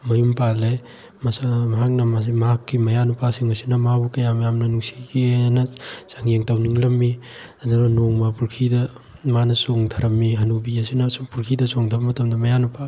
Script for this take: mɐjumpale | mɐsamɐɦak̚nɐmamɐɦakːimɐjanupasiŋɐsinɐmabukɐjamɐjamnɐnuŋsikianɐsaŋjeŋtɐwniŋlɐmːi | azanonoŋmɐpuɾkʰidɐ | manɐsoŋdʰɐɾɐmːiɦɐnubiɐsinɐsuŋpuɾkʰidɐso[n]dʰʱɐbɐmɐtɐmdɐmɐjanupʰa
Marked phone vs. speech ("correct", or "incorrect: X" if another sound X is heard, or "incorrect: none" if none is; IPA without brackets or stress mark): incorrect: ŋ